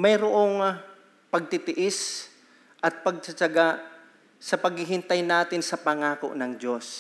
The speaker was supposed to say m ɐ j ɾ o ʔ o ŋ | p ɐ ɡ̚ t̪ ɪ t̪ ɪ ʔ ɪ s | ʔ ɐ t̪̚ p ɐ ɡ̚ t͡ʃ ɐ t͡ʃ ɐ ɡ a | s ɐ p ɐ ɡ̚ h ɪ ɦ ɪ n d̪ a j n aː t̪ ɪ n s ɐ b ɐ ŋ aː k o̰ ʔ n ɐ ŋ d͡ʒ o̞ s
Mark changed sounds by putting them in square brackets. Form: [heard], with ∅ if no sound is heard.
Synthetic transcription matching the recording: m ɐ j ɾ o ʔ o ŋ | p ɐ ɡ̚ t̪ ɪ t̪ ɪ ʔ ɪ s | ʔ ɐ t̪̚ p ɐ ɡ̚ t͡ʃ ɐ t͡ʃ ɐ ɡ a | s ɐ p ɐ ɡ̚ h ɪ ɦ ɪ n [t̪] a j n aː t̪ ɪ n s ɐ [p] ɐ ŋ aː k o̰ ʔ n ɐ ŋ d͡ʒ o̞ s